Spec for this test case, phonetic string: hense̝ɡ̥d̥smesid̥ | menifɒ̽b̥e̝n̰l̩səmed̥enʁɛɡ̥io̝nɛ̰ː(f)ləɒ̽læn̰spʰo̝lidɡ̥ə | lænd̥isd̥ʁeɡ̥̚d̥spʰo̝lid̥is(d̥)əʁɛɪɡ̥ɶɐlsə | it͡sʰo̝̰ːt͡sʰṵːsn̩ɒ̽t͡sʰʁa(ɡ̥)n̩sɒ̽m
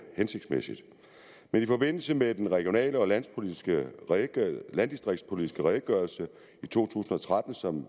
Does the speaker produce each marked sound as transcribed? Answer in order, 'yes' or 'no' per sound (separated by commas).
no, no, no